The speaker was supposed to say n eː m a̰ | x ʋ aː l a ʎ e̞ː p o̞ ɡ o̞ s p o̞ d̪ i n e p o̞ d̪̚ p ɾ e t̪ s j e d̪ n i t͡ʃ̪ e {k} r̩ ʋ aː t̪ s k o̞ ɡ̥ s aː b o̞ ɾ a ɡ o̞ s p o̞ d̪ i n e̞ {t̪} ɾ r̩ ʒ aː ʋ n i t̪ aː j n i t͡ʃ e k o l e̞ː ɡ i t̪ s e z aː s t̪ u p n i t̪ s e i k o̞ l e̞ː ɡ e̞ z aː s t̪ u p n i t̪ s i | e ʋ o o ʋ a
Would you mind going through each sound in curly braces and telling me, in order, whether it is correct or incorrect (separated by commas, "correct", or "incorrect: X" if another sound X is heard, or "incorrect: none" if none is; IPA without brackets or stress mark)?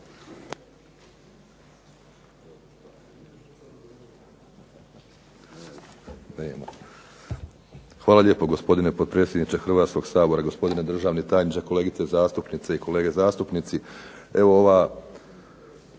incorrect: x, incorrect: d̪